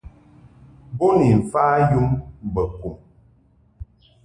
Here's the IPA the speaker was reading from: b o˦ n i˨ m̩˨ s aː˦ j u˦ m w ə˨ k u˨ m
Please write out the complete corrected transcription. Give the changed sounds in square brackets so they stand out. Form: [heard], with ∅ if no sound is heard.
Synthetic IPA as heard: b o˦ n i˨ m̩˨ [f] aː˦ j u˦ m [b] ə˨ k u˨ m